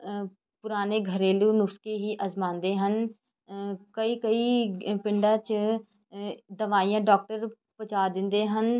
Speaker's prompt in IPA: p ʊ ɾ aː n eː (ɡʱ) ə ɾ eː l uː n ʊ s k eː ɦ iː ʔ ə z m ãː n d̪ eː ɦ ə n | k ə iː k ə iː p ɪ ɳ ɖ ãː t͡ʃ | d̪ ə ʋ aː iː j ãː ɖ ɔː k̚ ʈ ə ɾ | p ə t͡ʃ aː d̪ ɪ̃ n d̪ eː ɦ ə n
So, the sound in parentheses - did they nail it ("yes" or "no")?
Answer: yes